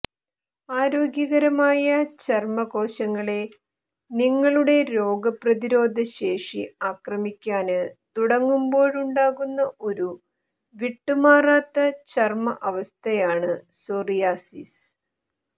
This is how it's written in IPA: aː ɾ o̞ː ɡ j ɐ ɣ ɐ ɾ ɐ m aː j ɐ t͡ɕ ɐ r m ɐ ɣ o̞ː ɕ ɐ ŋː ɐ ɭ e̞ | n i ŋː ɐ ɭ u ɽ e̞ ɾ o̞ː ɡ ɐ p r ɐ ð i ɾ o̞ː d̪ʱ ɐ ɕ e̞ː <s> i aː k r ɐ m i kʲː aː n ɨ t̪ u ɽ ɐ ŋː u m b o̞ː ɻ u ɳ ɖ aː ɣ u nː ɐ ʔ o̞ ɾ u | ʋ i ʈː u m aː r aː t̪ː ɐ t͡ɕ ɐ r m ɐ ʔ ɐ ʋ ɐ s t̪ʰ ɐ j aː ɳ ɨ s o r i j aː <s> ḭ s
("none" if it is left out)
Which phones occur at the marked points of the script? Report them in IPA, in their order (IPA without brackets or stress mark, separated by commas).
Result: ʂ, s